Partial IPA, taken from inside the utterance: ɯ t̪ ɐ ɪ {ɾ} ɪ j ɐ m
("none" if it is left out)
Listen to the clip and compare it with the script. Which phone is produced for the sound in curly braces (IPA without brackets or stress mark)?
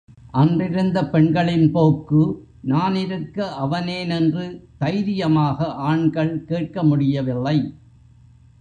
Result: ɾ